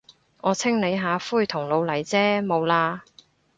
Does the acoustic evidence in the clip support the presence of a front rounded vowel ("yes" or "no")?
no